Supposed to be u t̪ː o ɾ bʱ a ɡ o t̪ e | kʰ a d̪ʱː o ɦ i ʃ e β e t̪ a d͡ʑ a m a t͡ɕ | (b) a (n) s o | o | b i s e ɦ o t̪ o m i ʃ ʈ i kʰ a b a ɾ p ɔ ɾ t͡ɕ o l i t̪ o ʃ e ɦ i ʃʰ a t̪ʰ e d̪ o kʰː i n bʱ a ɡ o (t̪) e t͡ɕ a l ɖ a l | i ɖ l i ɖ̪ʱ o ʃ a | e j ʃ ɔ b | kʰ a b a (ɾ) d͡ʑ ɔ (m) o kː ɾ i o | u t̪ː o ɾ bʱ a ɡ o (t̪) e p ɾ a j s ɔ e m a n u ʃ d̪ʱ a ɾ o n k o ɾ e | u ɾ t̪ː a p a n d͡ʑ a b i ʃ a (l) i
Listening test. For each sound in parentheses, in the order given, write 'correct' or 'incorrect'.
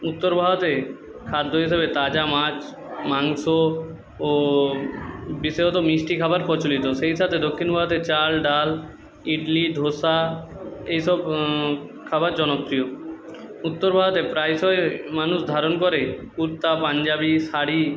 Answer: incorrect, incorrect, correct, correct, incorrect, correct, incorrect

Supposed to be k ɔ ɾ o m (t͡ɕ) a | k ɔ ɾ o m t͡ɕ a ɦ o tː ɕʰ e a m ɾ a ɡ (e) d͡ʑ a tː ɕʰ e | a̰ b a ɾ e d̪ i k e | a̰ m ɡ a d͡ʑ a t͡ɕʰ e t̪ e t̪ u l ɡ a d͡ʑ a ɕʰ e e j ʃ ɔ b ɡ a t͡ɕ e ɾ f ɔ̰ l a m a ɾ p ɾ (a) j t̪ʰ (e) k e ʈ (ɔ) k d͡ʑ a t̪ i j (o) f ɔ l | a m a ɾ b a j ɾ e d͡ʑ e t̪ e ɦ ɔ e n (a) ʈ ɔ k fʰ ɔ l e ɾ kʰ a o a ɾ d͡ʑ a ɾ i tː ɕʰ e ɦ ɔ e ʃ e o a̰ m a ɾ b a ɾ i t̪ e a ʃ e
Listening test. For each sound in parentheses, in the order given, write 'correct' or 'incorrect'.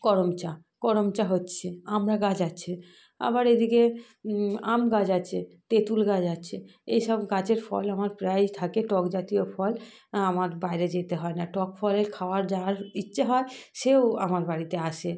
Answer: correct, incorrect, correct, incorrect, correct, correct, correct

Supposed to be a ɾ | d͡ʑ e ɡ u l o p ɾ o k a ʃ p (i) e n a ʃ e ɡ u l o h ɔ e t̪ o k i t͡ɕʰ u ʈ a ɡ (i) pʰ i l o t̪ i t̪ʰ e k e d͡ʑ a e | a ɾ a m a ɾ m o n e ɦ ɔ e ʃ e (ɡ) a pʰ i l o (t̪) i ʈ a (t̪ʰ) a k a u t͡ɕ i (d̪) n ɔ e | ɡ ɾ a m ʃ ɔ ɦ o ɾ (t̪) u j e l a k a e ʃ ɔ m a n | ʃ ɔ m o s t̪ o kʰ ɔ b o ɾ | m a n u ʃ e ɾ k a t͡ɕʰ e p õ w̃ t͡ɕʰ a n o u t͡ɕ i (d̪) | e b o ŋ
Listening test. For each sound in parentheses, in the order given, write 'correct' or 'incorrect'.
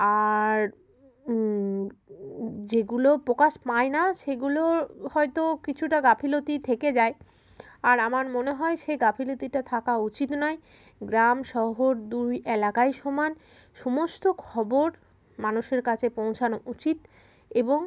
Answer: incorrect, incorrect, correct, correct, correct, incorrect, incorrect, incorrect

